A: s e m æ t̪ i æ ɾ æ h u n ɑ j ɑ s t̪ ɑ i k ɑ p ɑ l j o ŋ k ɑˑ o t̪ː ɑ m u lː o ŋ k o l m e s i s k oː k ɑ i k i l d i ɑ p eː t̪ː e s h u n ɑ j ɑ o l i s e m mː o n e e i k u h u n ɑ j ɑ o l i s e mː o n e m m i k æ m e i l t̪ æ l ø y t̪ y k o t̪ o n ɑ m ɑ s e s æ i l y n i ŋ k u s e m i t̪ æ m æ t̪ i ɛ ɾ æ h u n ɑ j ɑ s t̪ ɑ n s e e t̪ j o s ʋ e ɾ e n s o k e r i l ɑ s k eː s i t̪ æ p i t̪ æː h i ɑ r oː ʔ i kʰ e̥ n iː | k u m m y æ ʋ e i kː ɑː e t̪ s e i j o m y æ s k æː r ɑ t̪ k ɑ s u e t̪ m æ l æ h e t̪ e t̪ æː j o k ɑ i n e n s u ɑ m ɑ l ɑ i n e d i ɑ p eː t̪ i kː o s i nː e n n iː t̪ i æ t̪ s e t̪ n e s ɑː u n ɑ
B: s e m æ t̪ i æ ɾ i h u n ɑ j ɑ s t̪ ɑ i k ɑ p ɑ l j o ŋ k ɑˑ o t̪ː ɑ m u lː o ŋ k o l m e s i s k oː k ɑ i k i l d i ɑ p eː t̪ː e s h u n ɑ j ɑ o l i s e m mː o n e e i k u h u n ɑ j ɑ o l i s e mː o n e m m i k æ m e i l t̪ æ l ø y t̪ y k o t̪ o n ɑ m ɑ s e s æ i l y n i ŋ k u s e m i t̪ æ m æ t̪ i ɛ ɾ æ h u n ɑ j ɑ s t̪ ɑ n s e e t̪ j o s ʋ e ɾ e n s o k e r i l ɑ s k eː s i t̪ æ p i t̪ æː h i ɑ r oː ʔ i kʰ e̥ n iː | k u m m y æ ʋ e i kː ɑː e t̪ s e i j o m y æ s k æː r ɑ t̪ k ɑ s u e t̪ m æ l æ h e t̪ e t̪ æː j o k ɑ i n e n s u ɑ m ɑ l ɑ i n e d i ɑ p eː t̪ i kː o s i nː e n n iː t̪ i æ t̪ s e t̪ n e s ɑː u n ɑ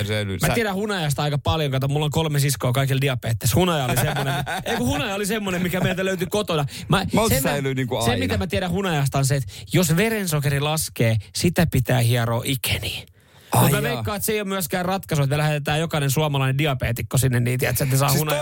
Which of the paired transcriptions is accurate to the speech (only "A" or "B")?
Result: A